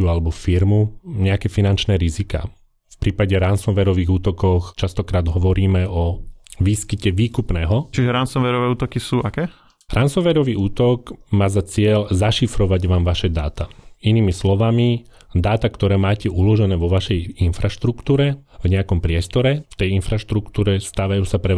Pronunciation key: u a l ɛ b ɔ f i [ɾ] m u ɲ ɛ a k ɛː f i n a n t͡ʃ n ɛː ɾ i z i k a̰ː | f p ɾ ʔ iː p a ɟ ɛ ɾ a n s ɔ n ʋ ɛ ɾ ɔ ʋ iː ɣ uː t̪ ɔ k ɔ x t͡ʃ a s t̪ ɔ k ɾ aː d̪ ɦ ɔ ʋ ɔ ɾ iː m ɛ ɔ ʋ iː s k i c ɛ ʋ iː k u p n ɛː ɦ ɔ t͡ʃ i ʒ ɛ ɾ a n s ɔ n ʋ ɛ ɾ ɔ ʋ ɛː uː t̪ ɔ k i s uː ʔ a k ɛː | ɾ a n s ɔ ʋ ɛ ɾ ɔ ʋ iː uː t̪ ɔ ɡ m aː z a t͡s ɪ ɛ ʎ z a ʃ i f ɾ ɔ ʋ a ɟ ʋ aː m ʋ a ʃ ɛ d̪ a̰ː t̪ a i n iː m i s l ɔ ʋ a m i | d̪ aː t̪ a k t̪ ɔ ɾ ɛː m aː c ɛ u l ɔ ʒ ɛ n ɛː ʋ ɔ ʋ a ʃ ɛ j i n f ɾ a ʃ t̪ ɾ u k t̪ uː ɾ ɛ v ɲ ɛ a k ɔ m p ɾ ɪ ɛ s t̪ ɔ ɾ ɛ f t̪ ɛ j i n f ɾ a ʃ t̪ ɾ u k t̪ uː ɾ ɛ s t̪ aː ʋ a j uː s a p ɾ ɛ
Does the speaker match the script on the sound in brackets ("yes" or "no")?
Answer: yes